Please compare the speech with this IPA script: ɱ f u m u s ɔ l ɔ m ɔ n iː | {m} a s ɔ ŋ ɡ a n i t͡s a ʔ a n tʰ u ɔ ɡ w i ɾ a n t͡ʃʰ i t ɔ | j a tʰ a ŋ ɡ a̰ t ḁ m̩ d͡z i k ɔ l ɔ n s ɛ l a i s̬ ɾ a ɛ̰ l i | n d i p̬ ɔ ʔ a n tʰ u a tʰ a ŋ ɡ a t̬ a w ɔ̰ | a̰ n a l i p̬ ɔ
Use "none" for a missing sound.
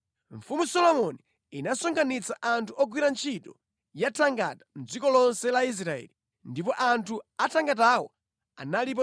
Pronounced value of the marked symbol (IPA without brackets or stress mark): n